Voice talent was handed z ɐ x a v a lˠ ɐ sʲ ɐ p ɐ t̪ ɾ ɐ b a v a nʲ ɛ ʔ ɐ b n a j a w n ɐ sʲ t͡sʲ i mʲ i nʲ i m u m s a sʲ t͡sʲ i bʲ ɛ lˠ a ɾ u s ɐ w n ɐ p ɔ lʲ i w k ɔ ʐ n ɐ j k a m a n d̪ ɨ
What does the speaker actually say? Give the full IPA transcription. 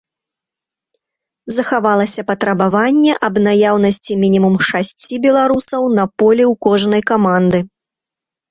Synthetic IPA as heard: z ɐ x a v a lˠ ɐ sʲ ɐ p ɐ t̪ ɾ ɐ b a v a nʲː ɛ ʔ ɐ b n a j a w n ɐ sʲ t͡sʲ i mʲ i nʲ i m u m ʂ a sʲ t͡sʲ i bʲ ɛ lˠ a ɾ u s ɐ w n ɐ p ɔ lʲ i w k ɔ ʐ n ɐ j k a m a n d̪ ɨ